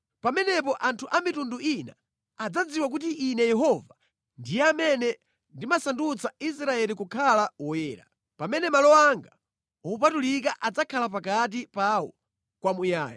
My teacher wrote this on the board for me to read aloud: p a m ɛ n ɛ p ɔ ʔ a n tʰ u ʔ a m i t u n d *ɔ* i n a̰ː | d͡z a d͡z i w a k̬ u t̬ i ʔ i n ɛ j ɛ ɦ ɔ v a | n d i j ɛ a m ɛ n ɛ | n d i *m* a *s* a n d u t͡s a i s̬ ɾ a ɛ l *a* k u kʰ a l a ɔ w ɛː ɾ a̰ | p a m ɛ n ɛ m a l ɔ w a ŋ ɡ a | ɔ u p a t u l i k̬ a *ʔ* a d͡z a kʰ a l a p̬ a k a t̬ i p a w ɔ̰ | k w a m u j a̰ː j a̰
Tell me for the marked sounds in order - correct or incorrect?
incorrect: u, correct, correct, incorrect: i, correct

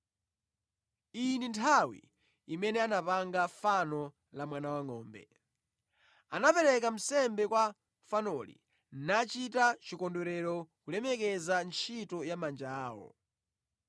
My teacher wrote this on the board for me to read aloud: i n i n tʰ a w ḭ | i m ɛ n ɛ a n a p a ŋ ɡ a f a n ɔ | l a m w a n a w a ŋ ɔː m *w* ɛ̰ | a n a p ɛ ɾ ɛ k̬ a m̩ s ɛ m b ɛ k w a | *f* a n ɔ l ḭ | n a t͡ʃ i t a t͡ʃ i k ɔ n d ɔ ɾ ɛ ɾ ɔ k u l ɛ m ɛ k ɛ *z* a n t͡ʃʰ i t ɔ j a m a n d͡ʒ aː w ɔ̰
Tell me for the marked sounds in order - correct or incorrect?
incorrect: b, correct, correct

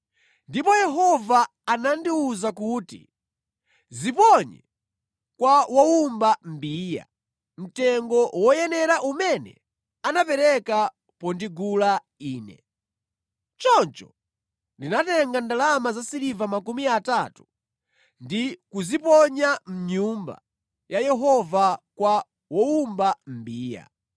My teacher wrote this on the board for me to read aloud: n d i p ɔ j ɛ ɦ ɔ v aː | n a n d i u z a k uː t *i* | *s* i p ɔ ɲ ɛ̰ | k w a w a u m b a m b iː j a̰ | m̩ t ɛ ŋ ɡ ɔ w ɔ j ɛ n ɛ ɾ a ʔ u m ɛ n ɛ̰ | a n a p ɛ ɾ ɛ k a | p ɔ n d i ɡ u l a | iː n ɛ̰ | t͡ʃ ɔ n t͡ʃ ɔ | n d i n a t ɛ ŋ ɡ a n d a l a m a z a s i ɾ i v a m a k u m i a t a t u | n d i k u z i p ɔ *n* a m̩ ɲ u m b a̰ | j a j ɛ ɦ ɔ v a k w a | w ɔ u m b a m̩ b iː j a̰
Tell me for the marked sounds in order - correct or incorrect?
correct, incorrect: z, incorrect: ɲ

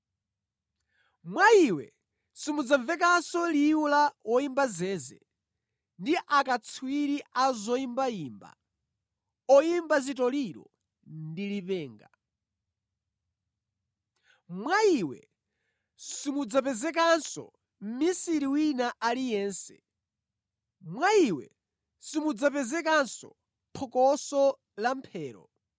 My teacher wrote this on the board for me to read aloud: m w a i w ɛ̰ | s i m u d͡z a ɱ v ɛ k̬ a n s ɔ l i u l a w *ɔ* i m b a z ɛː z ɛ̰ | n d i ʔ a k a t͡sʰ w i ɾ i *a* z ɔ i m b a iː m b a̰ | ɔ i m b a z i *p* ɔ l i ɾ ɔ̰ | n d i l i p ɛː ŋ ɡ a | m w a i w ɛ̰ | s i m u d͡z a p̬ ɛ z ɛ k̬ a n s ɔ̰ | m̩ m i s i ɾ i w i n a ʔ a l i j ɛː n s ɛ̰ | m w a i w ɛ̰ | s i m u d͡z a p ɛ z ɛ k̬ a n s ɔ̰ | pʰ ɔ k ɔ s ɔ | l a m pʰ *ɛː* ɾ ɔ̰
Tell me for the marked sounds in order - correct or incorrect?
correct, correct, incorrect: t, correct

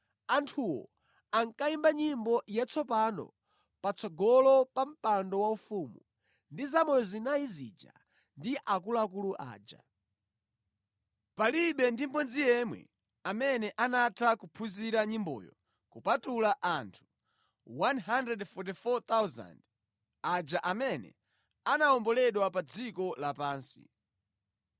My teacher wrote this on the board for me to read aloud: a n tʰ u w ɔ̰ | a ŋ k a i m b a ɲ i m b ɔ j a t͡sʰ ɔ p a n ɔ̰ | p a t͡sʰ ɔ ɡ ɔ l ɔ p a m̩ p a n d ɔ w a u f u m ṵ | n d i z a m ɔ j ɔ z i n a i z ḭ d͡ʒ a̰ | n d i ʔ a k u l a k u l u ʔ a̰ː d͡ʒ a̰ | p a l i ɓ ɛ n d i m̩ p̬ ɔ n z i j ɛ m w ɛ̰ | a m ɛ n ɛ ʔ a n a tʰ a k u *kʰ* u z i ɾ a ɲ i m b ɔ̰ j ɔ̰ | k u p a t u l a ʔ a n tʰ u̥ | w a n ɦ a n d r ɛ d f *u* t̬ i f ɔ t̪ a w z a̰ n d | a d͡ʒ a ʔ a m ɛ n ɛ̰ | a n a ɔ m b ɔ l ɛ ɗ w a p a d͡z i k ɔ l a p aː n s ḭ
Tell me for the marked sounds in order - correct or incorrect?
incorrect: pʰ, incorrect: ɔ

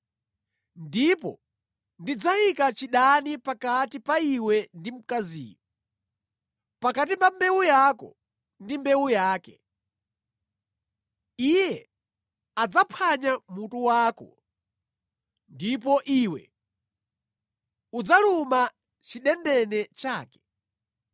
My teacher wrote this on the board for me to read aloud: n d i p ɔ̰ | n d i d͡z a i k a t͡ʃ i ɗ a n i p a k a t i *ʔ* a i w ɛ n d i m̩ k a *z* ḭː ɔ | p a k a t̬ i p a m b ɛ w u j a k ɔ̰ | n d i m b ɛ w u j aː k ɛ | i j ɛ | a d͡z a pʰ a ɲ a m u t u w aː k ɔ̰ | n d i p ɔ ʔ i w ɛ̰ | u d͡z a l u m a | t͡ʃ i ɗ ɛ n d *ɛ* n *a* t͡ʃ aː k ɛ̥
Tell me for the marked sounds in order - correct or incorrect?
incorrect: p, correct, correct, incorrect: ɛ

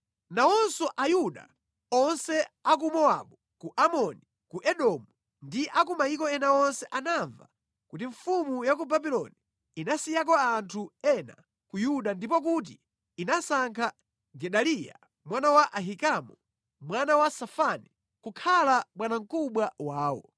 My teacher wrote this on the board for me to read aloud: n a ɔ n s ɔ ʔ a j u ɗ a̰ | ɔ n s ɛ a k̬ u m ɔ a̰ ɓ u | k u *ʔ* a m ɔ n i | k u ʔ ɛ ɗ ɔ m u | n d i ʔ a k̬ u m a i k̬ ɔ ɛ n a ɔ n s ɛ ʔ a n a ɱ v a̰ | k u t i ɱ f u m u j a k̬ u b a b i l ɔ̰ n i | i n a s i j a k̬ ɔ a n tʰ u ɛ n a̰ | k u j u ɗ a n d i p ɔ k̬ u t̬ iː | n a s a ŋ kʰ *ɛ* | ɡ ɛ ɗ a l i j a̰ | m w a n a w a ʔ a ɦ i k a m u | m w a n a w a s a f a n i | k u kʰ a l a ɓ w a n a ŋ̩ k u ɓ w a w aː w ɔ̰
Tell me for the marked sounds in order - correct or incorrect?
correct, incorrect: a

